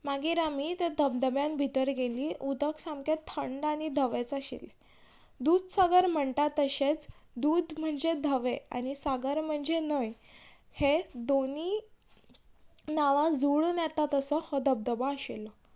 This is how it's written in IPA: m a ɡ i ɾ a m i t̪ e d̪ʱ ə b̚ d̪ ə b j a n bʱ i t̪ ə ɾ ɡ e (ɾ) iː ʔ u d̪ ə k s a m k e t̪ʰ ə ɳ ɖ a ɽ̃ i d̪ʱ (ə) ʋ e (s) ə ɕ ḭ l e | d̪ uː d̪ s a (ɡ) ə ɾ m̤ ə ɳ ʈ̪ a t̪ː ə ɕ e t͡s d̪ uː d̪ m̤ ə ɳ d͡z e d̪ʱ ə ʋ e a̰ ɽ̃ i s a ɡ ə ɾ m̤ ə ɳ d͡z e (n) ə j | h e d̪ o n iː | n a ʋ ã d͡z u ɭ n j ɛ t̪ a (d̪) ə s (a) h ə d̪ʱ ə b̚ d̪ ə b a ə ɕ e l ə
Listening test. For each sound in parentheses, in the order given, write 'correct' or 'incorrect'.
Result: incorrect: l, correct, incorrect: t͡s, correct, correct, incorrect: t̪, incorrect: ə

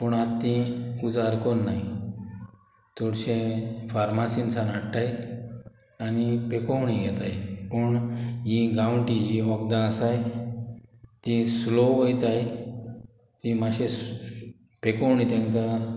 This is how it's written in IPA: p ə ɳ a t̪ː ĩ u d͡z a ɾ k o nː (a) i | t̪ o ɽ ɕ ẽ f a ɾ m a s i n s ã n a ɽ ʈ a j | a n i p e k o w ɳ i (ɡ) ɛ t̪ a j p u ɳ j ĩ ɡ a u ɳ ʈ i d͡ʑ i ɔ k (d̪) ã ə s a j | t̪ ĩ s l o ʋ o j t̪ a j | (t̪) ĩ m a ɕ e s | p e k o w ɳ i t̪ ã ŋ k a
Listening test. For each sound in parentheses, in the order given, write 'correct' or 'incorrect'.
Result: correct, correct, correct, correct

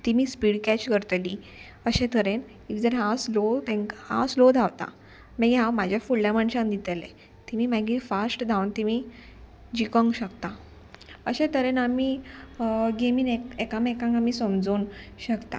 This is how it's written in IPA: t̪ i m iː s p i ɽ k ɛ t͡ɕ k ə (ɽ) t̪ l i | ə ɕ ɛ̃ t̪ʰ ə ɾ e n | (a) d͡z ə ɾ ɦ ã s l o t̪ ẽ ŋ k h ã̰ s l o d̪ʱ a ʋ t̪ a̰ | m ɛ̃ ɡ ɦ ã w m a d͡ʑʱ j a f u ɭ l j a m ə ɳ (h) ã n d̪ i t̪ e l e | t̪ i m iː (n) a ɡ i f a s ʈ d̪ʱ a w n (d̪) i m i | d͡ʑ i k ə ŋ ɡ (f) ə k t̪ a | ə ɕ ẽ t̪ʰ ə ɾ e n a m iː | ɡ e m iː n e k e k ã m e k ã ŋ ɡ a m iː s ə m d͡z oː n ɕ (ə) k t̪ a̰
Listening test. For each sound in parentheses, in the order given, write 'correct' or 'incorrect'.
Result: incorrect: ɾ, incorrect: i, incorrect: ɕ, incorrect: m, incorrect: t̪, incorrect: ɕ, correct

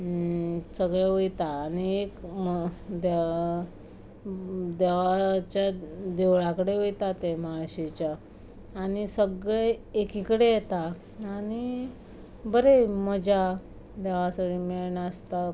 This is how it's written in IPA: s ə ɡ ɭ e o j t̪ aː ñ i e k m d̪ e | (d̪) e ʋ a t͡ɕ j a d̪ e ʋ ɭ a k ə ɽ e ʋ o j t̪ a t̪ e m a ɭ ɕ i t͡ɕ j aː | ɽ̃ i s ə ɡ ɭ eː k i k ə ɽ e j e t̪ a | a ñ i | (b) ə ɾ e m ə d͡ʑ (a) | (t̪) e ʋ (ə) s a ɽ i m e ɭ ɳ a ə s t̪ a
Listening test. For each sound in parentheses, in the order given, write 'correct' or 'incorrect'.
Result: correct, correct, correct, incorrect: d̪, incorrect: a

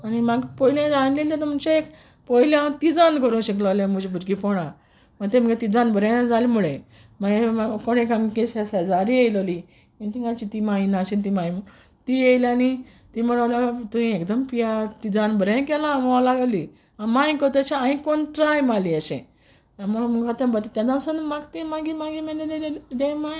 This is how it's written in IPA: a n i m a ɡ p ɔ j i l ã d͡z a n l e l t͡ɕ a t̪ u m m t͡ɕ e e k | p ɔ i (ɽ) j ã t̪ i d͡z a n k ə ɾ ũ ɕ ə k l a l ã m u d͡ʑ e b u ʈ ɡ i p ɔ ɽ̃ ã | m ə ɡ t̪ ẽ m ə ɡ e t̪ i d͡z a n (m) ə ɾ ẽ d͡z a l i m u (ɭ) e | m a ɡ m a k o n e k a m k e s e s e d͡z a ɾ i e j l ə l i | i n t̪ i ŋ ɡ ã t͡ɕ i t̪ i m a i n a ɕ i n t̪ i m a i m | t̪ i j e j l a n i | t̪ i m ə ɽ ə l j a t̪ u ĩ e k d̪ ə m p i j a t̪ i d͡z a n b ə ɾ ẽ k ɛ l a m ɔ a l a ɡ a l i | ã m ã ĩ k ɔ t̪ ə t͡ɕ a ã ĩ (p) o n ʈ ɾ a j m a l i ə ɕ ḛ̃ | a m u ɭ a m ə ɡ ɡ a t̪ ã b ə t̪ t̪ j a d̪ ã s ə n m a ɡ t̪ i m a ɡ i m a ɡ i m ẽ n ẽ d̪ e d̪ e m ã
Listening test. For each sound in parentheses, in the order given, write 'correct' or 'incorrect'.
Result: incorrect: l, incorrect: b, correct, incorrect: k

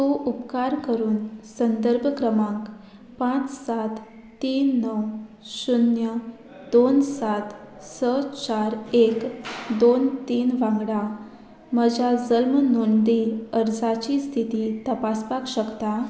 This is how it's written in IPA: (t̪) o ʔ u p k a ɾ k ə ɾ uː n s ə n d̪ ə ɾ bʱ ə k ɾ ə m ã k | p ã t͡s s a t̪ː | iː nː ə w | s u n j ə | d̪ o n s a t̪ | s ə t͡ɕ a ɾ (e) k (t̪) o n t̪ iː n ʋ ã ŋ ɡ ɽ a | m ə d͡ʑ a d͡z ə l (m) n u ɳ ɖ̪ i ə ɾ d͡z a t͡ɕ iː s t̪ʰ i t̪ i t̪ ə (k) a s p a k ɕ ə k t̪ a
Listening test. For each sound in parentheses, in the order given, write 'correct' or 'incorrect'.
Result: correct, correct, incorrect: d̪, correct, incorrect: p

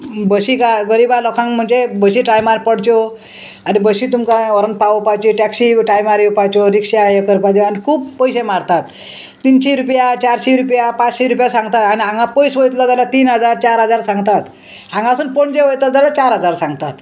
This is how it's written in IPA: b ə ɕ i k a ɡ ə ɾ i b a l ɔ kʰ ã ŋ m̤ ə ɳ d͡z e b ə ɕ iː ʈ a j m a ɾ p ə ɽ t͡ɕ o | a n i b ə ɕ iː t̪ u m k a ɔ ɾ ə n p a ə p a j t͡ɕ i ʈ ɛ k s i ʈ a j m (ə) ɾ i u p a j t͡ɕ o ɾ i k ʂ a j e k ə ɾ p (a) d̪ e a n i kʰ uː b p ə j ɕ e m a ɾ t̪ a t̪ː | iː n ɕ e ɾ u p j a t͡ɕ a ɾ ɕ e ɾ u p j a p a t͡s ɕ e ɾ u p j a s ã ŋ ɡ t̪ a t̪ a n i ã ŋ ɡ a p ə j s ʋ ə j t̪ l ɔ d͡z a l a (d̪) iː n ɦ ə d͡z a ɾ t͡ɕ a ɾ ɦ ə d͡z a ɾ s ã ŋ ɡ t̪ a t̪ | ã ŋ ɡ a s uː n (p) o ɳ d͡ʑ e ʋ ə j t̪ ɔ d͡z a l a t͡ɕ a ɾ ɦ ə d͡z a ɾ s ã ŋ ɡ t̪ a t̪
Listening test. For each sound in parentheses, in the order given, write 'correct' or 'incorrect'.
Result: incorrect: a, correct, incorrect: t̪, correct

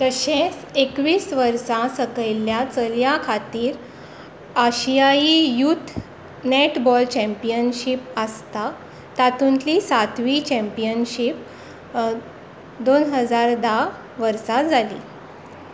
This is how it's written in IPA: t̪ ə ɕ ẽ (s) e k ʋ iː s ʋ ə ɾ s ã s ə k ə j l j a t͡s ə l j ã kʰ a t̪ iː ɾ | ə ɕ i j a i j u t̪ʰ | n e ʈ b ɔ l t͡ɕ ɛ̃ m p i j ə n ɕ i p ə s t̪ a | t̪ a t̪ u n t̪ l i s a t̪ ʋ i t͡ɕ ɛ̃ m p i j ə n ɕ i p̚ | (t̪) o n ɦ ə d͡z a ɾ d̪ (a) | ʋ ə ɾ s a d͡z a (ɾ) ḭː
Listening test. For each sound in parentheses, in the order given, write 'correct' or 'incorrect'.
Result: correct, incorrect: d̪, correct, incorrect: l

